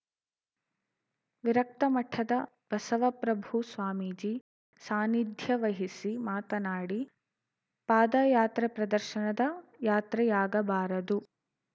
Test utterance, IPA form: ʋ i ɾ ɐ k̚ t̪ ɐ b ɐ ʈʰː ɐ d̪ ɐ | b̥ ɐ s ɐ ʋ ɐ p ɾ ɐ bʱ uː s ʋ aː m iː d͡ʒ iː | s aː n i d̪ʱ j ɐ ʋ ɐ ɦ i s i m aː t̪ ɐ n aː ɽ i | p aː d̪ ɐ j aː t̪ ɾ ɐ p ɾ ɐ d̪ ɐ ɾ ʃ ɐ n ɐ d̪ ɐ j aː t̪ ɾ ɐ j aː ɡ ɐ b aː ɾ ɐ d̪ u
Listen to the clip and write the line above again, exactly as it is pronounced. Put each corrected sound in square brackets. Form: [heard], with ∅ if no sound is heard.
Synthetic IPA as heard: ʋ i ɾ ɐ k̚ t̪ ɐ [m] ɐ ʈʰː ɐ d̪ ɐ | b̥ ɐ s ɐ ʋ ɐ p ɾ ɐ bʱ [u] s ʋ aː m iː d͡ʒ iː | s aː n i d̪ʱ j ɐ ʋ ɐ ɦ i s i m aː t̪ ɐ n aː ɽ i | p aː d̪ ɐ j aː t̪ ɾ ɐ p ɾ ɐ d̪ ɐ ɾ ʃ ɐ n ɐ d̪ ɐ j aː t̪ ɾ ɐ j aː ɡ ɐ b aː ɾ ɐ d̪ u